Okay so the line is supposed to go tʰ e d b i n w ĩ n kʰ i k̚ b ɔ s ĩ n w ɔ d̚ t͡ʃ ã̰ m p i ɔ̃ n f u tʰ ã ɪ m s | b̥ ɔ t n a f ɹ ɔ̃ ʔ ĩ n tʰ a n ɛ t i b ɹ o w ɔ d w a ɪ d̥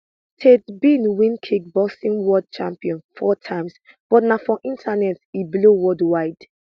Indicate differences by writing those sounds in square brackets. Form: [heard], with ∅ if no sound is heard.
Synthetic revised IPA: tʰ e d b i n w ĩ n kʰ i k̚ b ɔ s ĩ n w ɔ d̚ t͡ʃ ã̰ m p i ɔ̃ n f [ɔ] tʰ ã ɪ m s | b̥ ɔ t n a f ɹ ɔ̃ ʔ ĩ n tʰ a n ɛ t i b [l] o w ɔ d w a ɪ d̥